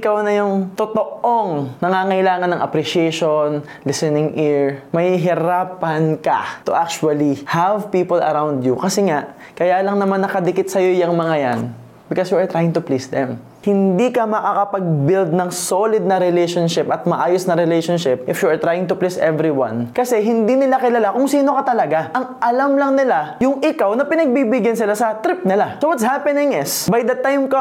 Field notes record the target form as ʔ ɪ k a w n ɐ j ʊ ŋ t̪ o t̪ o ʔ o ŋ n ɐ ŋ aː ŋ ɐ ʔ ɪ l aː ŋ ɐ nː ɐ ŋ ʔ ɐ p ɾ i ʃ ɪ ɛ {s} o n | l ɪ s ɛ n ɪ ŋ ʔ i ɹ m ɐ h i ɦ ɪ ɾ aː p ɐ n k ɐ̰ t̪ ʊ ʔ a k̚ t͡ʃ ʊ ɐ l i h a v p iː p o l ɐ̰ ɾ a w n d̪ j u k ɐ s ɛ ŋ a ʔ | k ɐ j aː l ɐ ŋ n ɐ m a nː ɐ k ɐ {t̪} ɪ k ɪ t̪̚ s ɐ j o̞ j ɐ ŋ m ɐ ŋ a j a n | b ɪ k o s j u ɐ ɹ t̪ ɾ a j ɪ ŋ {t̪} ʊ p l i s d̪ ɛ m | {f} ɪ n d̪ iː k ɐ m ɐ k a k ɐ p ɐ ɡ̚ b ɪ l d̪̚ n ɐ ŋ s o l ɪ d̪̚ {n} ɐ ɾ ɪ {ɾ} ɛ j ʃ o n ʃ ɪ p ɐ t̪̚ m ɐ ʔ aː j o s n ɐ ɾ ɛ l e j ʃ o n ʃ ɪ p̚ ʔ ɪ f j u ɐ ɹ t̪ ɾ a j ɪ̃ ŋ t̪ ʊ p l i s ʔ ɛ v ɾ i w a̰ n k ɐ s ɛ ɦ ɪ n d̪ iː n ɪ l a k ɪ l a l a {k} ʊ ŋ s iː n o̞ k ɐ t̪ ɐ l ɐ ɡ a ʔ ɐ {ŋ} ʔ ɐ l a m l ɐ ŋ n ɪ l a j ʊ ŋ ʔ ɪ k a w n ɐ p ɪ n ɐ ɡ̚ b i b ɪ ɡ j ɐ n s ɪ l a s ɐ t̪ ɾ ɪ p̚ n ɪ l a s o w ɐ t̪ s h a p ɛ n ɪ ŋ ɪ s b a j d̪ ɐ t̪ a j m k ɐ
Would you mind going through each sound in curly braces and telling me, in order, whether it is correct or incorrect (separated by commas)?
incorrect, incorrect, correct, incorrect, correct, incorrect, correct, correct